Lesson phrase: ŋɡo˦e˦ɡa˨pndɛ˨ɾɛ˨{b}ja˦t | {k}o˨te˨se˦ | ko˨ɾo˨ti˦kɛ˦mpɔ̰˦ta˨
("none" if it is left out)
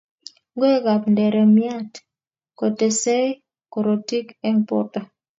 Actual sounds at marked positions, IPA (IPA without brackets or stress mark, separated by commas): m, k